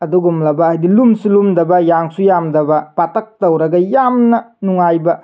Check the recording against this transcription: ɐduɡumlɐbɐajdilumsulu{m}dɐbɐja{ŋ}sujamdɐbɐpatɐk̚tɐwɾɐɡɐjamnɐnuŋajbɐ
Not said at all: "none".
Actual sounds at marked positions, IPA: m, ŋ

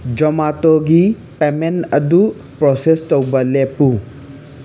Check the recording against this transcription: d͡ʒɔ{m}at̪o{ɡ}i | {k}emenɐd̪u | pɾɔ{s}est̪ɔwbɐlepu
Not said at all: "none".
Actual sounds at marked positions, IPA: m, ɡ, p, s

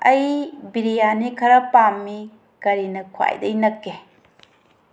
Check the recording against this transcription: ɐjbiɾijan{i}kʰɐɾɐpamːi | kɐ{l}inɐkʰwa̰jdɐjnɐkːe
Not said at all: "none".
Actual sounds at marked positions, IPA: i, ɾ

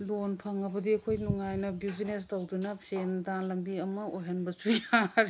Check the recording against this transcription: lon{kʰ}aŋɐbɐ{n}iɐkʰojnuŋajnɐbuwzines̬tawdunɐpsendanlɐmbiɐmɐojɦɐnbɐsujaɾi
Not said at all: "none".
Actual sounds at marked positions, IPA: pʰ, d

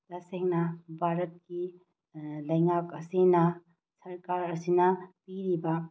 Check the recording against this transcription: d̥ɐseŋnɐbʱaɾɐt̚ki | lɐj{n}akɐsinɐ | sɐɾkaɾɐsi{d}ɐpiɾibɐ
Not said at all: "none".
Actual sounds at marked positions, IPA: ŋ, n

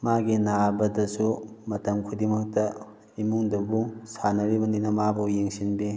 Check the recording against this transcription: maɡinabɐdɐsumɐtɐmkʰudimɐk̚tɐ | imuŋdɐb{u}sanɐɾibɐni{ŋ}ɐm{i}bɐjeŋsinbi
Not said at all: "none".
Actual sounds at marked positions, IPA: u, n, a

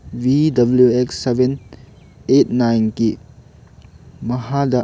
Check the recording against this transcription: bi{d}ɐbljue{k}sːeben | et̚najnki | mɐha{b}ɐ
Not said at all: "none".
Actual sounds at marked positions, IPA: d, k, d

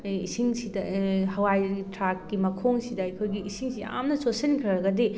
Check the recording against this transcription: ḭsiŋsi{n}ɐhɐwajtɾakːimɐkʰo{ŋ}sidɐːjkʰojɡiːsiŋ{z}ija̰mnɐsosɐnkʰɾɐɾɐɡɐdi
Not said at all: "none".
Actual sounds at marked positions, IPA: d, ŋ, s

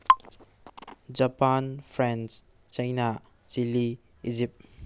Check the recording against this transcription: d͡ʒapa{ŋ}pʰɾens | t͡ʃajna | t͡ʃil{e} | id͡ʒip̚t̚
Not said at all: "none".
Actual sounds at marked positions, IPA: n, i

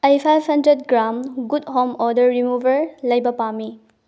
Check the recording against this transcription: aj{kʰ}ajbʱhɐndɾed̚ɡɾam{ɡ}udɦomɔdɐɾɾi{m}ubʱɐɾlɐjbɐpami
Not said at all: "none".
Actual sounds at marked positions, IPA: pʰ, ɡ, m

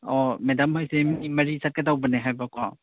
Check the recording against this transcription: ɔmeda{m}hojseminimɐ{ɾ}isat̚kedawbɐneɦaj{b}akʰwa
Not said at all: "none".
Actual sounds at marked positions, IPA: m, ɾ, b

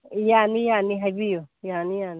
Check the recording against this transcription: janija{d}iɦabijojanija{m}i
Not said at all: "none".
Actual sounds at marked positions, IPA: n, n

